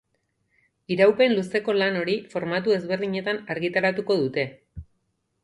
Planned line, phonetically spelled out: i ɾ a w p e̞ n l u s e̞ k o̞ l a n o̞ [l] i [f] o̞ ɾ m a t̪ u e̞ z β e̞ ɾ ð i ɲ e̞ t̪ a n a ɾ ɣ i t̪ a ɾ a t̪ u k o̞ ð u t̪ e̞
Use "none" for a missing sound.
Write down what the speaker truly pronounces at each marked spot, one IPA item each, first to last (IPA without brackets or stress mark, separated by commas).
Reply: ɾ, f